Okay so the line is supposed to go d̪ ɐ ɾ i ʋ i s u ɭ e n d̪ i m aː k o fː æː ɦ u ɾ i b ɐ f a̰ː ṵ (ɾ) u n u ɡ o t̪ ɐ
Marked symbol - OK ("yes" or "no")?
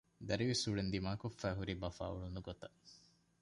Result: no